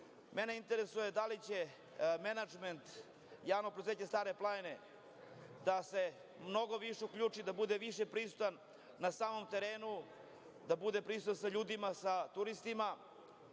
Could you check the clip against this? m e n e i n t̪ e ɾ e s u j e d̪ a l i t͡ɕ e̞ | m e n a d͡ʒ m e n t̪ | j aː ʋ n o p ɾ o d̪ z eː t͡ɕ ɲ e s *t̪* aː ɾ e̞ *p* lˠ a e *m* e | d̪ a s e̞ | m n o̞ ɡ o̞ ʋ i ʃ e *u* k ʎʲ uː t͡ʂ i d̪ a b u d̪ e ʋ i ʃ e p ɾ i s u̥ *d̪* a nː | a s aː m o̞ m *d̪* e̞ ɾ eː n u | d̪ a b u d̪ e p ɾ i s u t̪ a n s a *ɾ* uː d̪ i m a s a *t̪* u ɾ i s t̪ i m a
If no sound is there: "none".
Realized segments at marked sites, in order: t̪, p, n, u, t̪, t̪, ʎ, t̪

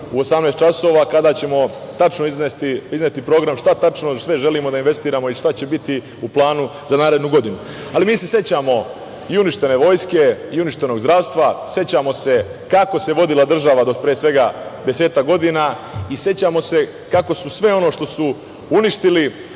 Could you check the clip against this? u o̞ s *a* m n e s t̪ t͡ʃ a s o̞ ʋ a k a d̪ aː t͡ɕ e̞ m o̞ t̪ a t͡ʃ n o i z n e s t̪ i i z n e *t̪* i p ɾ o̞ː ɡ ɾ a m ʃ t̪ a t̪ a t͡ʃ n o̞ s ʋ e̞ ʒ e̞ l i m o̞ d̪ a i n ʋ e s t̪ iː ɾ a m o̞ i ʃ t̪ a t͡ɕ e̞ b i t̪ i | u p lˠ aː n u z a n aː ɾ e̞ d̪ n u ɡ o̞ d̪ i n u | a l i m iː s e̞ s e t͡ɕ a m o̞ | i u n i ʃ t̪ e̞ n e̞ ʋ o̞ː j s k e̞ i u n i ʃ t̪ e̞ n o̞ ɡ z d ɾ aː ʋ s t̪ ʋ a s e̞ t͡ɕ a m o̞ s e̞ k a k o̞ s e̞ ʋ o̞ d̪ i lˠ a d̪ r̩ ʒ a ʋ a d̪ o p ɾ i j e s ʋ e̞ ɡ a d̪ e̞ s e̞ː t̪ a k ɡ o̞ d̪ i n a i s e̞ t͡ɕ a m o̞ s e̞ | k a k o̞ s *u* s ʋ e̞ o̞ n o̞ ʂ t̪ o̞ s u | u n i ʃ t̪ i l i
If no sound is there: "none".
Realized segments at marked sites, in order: a, t̪, u

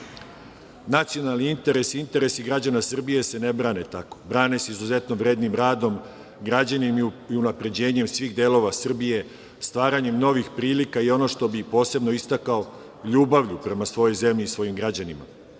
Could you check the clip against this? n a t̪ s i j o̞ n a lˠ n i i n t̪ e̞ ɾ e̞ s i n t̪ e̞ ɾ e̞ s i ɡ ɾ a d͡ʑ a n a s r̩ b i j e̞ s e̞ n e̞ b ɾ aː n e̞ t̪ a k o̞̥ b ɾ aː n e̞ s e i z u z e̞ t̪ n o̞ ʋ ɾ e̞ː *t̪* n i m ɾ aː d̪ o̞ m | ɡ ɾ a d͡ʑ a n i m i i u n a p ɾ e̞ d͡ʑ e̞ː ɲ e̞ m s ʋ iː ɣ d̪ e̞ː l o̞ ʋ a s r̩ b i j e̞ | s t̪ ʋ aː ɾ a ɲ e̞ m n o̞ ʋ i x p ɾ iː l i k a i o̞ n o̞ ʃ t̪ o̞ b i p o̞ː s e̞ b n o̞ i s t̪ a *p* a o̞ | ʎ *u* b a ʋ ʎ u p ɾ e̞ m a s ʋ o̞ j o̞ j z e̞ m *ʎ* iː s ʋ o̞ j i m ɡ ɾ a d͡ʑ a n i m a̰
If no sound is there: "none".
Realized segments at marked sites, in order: d̪, k, uː, ʎ

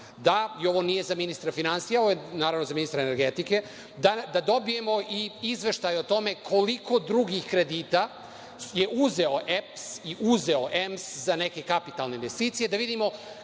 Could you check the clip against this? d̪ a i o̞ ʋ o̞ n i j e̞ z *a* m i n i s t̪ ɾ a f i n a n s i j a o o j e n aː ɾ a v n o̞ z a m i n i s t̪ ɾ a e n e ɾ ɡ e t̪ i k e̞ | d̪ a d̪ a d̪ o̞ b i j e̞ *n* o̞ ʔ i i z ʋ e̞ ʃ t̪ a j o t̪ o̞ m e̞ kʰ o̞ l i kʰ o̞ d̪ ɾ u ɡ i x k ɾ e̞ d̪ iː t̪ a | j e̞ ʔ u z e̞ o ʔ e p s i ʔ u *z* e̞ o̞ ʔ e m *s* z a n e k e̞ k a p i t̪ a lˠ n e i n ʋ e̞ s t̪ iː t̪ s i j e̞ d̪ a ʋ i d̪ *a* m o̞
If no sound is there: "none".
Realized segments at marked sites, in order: a, m, z, s, i

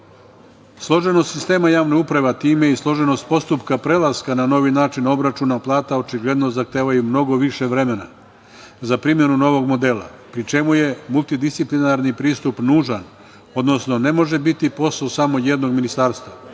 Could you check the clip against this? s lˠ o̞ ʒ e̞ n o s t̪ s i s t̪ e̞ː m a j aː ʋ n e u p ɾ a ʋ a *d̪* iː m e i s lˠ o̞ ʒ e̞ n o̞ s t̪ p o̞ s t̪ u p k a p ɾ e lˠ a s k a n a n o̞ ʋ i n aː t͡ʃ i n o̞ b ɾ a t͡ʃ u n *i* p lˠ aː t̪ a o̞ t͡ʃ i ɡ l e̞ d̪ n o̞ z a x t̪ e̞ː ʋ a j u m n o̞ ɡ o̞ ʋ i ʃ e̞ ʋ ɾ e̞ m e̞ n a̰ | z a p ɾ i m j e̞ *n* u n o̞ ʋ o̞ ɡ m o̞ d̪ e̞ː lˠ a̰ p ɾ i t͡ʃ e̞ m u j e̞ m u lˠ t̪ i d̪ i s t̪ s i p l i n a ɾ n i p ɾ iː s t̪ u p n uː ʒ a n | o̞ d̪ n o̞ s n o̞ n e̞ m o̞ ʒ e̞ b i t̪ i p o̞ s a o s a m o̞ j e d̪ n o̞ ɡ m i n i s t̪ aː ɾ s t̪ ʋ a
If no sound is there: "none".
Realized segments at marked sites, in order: t̪, a, n

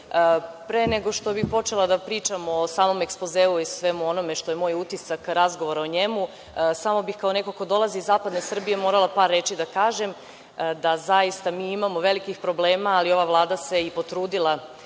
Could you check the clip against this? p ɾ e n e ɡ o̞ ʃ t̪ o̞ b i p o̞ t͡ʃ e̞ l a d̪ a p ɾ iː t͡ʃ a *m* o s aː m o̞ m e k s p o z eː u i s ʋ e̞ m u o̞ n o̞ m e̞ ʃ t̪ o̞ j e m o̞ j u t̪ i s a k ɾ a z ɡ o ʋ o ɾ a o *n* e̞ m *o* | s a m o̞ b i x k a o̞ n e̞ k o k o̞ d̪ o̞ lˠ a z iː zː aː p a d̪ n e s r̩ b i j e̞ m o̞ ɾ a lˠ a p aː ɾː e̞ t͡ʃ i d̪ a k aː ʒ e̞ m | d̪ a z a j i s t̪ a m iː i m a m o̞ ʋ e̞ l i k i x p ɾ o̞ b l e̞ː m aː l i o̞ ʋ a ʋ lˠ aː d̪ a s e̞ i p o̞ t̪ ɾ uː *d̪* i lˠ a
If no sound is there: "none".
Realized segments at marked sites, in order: m, ɲ, u, d̪

